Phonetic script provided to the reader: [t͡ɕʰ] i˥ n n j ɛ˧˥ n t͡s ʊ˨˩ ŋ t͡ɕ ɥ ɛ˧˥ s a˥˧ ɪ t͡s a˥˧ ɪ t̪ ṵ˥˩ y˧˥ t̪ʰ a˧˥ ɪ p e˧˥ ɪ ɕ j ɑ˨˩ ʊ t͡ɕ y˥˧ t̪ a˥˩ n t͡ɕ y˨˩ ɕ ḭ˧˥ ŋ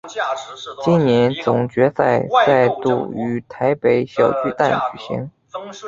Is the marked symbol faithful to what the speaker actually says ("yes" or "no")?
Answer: no